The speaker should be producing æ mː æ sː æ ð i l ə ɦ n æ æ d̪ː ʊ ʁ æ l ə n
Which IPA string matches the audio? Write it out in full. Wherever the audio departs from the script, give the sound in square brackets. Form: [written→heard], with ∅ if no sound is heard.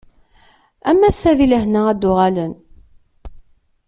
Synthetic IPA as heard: æ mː æ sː æ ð i l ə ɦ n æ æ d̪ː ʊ ʁ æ l ə n